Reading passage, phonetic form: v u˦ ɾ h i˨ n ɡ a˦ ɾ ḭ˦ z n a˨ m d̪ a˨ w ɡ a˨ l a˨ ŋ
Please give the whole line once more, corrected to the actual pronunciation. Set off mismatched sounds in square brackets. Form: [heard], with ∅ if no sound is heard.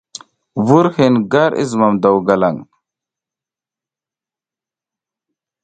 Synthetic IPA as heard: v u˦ ɾ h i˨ n ɡ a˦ ɾ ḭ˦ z [m] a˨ m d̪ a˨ w ɡ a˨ l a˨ ŋ